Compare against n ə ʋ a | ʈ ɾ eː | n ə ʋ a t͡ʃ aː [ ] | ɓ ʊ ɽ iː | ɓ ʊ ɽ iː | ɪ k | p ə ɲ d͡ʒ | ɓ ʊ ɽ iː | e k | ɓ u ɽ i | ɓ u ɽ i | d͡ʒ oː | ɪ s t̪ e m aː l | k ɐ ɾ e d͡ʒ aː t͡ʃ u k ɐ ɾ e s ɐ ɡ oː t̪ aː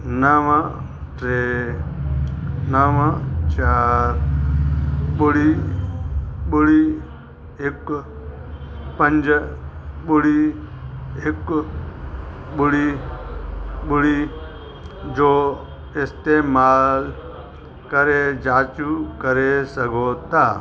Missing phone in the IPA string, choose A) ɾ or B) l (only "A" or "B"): A